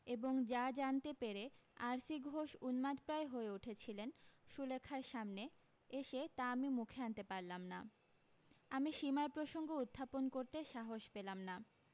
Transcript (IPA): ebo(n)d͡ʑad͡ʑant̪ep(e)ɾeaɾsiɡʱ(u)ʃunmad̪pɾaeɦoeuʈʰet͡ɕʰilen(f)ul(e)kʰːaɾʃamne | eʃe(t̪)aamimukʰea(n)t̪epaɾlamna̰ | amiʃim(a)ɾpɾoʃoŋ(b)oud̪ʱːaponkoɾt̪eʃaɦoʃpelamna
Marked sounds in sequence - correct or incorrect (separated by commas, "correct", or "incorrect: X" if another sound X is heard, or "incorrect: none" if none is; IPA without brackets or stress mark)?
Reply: incorrect: ŋ, correct, incorrect: o, incorrect: ʃ, correct, correct, correct, correct, incorrect: ɡ